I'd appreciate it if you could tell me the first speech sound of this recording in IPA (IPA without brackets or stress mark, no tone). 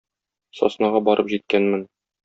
s